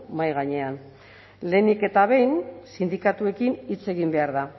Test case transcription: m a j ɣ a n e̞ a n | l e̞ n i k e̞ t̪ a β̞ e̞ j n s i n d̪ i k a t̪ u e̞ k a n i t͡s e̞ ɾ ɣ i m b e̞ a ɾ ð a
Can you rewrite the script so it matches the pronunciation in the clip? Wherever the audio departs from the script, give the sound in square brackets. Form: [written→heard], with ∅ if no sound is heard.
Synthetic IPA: m a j ɣ a [n→ɲ] e̞ a n | l e̞ n i k e̞ t̪ a β̞ e̞ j n s i n d̪ i k a t̪ u e̞ k [a→i] n i t͡s e̞ [ɾ→∅] ɣ i m b e̞ a ɾ ð a